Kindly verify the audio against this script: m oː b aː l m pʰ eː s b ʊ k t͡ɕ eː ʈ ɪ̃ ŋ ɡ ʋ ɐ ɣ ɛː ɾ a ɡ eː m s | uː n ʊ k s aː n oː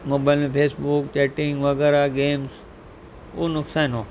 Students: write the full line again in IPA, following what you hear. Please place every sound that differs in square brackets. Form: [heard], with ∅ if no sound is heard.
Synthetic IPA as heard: m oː b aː l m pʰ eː s b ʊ k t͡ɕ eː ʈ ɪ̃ ŋ ɡ ʋ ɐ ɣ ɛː ɾ a ɡ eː m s | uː n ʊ k s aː n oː